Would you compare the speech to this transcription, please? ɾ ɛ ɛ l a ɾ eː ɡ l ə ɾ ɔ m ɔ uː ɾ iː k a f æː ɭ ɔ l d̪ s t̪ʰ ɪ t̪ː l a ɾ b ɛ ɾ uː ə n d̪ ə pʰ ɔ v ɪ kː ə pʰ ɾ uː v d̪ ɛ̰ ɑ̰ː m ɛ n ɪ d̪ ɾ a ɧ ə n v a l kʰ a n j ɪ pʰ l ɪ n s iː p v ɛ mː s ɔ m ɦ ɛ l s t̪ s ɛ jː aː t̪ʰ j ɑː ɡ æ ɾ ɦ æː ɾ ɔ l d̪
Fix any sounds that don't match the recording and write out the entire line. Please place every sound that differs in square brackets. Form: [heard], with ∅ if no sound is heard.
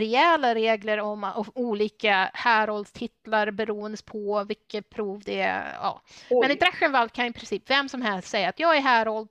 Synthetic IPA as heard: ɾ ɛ ɛ l a ɾ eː ɡ l ə ɾ ɔ m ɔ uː [l] iː k a [h] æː [ɾ] ɔ l d̪ s t̪ʰ ɪ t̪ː l a ɾ b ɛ ɾ uː ə n d̪ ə pʰ ɔ v ɪ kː ə pʰ ɾ uː v d̪ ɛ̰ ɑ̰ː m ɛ n ɪ d̪ ɾ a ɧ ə n v a l kʰ a n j ɪ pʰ [ɾ] ɪ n s iː p v ɛ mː s ɔ m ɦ ɛ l s t̪ s ɛ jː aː [t̪] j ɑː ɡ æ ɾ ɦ æː ɾ ɔ l d̪